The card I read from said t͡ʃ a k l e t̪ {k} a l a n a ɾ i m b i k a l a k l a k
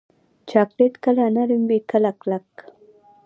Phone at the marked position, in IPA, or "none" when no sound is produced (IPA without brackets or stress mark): k